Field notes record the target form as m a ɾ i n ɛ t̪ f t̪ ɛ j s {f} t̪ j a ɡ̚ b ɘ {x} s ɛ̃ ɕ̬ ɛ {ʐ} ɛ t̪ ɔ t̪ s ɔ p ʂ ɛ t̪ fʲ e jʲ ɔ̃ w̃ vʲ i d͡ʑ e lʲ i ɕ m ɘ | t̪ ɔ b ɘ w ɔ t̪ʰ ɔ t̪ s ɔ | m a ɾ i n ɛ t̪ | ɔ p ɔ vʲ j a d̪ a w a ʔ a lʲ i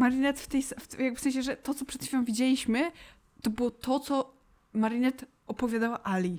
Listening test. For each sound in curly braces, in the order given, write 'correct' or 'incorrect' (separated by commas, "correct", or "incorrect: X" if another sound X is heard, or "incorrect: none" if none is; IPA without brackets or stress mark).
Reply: correct, incorrect: f, correct